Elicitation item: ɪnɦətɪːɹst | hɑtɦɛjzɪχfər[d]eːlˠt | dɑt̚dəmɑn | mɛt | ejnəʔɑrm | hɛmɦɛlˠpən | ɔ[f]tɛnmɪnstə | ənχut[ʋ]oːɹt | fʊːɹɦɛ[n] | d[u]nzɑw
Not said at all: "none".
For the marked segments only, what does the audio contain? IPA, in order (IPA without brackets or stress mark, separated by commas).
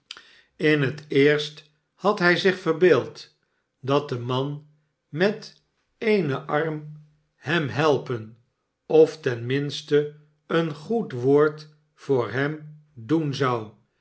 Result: b, f, ʋ, m, u